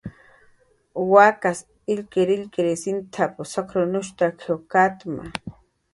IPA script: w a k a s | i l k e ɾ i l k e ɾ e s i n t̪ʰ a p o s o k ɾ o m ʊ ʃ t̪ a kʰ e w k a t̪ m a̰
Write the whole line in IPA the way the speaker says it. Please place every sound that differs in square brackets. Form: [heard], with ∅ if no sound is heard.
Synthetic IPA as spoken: w a k a s | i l k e ɾ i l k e ɾ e s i n t̪ʰ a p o s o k ɾ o [n] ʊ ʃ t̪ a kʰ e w k a t̪ m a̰